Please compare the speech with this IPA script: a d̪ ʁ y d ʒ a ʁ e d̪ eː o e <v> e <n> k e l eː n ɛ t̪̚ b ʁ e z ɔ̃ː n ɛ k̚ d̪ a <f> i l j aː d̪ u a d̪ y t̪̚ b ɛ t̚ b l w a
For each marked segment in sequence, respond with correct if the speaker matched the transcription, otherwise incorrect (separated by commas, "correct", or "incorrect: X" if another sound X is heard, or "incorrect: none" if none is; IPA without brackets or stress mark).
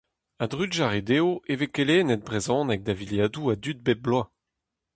correct, incorrect: none, incorrect: v